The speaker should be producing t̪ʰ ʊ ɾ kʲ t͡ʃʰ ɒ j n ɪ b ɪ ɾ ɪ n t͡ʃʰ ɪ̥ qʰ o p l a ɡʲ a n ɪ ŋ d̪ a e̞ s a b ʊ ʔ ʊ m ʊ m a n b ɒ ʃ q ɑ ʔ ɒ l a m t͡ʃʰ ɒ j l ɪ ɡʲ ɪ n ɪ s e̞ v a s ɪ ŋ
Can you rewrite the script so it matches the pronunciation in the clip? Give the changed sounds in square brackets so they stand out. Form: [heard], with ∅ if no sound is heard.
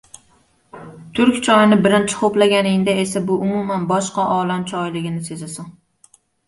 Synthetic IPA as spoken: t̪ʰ ʊ ɾ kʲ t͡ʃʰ ɒ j n ɪ b ɪ ɾ ɪ n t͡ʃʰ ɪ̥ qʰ o p l a ɡʲ a n ɪ ŋ d̪ a e̞ s a b ʊ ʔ ʊ m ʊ m a n b ɒ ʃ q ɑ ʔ ɒ l a m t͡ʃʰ ɒ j l ɪ ɡʲ ɪ n ɪ s e̞ [z] a s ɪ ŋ